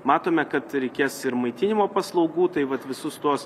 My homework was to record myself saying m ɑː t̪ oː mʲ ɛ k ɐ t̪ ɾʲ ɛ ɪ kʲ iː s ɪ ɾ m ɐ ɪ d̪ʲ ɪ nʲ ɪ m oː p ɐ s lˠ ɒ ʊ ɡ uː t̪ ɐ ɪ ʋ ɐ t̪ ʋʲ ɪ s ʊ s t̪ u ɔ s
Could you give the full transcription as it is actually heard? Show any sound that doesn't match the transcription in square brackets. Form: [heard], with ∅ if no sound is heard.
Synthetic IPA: m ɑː t̪ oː mʲ ɛ k ɐ t̪ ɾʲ ɛ ɪ kʲ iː s ɪ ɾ m ɐ ɪ [t̪ʲ] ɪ nʲ ɪ m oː p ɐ s lˠ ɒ ʊ ɡ uː t̪ ɐ ɪ ʋ ɐ t̪ ʋʲ ɪ s ʊ s t̪ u ɔ s

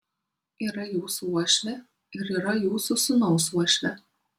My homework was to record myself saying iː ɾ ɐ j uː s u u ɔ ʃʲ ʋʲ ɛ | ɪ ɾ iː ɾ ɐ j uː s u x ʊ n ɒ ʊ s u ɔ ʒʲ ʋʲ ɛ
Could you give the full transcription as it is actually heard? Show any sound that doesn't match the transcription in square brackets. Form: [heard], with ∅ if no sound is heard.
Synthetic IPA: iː ɾ ɐ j uː s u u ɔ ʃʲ ʋʲ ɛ | ɪ ɾ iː ɾ ɐ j uː s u [s] ʊ n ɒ ʊ s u ɔ [ʃʲ] ʋʲ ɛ

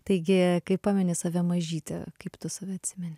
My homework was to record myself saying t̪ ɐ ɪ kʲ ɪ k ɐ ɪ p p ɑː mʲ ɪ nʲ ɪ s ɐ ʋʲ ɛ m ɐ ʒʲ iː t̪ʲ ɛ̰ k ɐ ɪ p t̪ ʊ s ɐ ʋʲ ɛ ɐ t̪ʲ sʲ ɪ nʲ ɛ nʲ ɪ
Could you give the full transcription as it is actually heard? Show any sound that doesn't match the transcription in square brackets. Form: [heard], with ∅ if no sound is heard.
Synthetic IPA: t̪ ɐ ɪ [ɡʲ] ɪ k ɐ ɪ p p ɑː mʲ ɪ nʲ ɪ s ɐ ʋʲ ɛ m ɐ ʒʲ iː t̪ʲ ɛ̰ k ɐ ɪ p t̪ ʊ s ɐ ʋʲ ɛ ɐ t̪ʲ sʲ ɪ [mʲ] ɛ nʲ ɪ

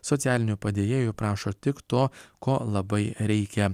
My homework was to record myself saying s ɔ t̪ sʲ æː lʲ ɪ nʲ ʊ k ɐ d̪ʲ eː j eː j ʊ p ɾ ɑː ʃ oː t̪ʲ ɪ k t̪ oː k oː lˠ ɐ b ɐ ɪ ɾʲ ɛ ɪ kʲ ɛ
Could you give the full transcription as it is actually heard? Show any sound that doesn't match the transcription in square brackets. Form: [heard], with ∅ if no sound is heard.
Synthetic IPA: s ɔ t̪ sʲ æː lʲ ɪ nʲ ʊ [p] ɐ d̪ʲ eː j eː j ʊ p ɾ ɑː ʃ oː t̪ʲ ɪ k t̪ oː k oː lˠ ɐ b ɐ ɪ ɾʲ ɛ ɪ kʲ ɛ

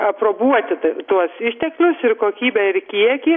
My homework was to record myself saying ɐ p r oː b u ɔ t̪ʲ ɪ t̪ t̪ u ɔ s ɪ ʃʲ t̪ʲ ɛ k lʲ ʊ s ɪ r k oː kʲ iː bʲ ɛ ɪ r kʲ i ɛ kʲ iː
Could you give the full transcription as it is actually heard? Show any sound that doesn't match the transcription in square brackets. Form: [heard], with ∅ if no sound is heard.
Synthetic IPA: ɐ p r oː b u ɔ t̪ʲ ɪ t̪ t̪ u ɔ s ɪ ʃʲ t̪ʲ ɛ k lʲ ʊ s ɪ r k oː kʲ iː bʲ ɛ ɪ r kʲ i ɛ kʲ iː

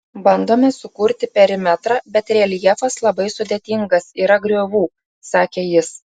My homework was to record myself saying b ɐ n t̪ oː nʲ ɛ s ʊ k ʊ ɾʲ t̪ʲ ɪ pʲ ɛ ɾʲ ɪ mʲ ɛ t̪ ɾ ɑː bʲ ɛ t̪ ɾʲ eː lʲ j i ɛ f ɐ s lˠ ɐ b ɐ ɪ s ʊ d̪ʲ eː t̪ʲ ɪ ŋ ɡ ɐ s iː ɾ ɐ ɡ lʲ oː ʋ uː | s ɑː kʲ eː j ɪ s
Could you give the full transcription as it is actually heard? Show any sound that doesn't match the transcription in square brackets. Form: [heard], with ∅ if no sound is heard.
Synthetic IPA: b ɐ n [d̪] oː [mʲ] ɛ s ʊ k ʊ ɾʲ t̪ʲ ɪ pʲ ɛ ɾʲ ɪ mʲ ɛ t̪ ɾ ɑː bʲ ɛ t̪ ɾʲ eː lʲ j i ɛ f ɐ s lˠ ɐ b ɐ ɪ s ʊ d̪ʲ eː t̪ʲ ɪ ŋ ɡ ɐ s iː ɾ ɐ ɡ [ɾʲ] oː ʋ uː | s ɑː kʲ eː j ɪ s

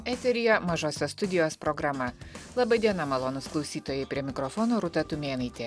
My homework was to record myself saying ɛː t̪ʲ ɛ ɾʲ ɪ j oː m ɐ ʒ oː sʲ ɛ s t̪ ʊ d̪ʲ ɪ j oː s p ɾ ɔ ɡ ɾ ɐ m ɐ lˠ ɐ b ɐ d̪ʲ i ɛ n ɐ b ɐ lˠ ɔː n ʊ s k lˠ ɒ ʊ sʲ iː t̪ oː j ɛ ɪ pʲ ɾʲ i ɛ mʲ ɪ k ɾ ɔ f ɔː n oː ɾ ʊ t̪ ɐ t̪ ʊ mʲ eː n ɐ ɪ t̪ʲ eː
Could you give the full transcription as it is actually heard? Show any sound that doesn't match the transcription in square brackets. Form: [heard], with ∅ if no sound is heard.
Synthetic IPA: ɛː t̪ʲ ɛ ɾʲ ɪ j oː m ɐ ʒ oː sʲ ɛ s t̪ ʊ d̪ʲ ɪ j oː s p ɾ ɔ ɡ ɾ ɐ m ɐ lˠ ɐ b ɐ d̪ʲ i ɛ n ɐ [m] ɐ lˠ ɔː n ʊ s k lˠ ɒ ʊ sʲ iː t̪ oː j ɛ ɪ pʲ ɾʲ i ɛ mʲ ɪ k ɾ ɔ f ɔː n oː ɾ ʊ t̪ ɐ t̪ ʊ mʲ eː n ɐ ɪ t̪ʲ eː

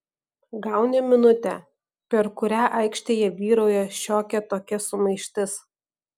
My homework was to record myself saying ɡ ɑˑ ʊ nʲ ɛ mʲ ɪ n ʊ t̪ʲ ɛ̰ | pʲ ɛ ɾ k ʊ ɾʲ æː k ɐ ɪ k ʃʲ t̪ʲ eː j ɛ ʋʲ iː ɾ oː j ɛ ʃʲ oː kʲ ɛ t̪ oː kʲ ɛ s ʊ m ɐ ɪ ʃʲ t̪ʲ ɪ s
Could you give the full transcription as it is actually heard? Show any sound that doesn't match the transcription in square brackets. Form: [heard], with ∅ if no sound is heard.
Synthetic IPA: ɡ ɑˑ ʊ nʲ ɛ mʲ ɪ n ʊ t̪ʲ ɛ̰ | pʲ ɛ ɾ k ʊ ɾʲ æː [ʔ] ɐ ɪ k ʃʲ t̪ʲ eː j ɛ ʋʲ iː ɾ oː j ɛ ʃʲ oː kʲ ɛ t̪ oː kʲ ɛ s ʊ m ɐ ɪ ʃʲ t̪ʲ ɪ s

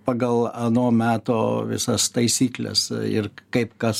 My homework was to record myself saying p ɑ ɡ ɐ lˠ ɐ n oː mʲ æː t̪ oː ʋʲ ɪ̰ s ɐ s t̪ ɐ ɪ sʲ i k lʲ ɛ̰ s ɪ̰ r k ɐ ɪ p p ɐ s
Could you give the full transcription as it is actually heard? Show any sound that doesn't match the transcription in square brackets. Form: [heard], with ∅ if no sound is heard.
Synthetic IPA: p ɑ ɡ ɐ lˠ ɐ n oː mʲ æː t̪ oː ʋʲ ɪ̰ s ɐ s t̪ ɐ ɪ sʲ [iː] k lʲ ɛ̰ s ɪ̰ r k ɐ ɪ p [k] ɐ s

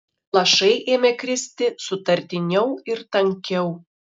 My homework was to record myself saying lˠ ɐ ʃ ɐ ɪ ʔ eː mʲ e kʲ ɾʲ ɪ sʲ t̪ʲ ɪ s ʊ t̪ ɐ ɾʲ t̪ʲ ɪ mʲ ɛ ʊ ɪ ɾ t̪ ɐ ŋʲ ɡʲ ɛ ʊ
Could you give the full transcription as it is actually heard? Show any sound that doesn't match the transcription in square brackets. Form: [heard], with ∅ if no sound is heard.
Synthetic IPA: lˠ ɐ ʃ ɐ ɪ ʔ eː mʲ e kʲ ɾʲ ɪ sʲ t̪ʲ ɪ s ʊ t̪ ɐ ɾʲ t̪ʲ ɪ [nʲ] ɛ ʊ ɪ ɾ t̪ ɐ ŋʲ [kʲ] ɛ ʊ

